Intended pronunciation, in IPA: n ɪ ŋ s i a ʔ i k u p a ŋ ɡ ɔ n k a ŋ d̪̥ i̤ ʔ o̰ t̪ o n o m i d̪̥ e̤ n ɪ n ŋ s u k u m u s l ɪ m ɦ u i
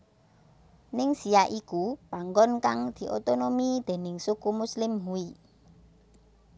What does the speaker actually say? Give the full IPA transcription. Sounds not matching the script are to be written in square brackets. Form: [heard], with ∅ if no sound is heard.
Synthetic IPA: n ɪ ŋ s i a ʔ i k u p a ŋ ɡ ɔ n k a ŋ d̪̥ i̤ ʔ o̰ t̪ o n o m i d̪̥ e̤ n ɪ [∅] ŋ s u k u m u s l ɪ m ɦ u i